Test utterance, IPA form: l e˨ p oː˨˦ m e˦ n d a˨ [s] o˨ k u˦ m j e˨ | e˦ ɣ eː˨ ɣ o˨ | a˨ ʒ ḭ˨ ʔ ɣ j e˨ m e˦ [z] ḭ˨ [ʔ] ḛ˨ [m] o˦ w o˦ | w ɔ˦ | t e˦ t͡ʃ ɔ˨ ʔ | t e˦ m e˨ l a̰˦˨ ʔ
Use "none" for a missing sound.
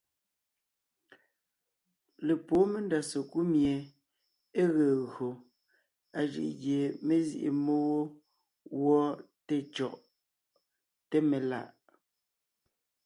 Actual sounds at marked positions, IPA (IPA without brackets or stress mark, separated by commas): s, z, ʔ, m